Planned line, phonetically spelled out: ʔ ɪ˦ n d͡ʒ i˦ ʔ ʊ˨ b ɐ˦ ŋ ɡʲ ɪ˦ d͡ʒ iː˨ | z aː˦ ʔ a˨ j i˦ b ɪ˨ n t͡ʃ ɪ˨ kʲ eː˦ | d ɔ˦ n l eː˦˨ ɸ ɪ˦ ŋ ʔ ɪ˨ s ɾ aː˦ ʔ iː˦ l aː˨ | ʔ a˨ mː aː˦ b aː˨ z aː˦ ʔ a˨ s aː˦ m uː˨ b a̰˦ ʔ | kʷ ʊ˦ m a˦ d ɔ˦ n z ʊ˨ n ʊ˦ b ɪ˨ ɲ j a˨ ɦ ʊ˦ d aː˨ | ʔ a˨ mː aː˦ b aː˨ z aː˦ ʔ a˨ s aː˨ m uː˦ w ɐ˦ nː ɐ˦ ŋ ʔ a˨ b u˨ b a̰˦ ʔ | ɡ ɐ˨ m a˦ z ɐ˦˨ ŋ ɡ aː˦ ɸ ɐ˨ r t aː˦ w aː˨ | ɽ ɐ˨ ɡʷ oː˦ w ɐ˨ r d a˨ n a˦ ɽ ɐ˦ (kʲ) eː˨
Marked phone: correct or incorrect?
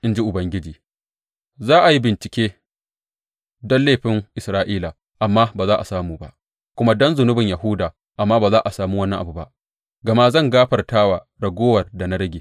incorrect